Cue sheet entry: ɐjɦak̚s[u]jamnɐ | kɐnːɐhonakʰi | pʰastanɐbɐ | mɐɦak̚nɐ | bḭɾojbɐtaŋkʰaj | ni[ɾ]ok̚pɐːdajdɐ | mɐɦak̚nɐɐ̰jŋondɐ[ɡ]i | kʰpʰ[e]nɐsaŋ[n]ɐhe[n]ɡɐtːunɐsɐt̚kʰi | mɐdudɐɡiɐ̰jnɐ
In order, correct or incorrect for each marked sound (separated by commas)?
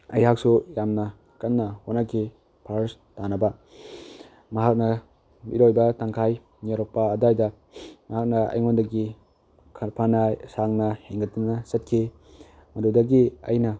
correct, correct, correct, incorrect, correct, incorrect